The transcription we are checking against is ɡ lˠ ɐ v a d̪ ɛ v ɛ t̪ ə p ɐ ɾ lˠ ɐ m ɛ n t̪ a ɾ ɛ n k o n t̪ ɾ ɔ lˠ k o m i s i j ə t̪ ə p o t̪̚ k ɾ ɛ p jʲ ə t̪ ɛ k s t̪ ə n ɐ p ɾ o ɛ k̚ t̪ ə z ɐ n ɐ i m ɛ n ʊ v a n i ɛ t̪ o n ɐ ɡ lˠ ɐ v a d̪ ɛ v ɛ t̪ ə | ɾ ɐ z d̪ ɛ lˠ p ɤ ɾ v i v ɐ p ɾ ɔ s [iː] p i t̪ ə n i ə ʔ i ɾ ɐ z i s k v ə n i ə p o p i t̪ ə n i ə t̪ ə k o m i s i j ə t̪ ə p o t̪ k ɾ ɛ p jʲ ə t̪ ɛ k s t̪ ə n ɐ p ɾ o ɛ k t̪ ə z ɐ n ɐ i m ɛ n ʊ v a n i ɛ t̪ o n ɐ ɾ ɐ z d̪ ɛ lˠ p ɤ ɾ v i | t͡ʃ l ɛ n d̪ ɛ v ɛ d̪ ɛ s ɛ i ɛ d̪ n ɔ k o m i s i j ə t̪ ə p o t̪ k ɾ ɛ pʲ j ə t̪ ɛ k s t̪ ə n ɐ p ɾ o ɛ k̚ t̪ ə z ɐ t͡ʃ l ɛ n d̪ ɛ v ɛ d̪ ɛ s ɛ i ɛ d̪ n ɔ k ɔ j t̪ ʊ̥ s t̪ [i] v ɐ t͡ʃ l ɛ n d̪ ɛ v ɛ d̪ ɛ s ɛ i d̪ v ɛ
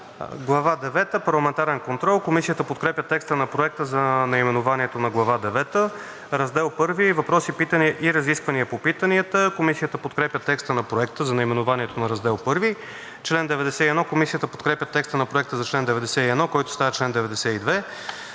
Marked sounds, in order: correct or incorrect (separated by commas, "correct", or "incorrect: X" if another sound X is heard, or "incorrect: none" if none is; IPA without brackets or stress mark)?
incorrect: i, incorrect: a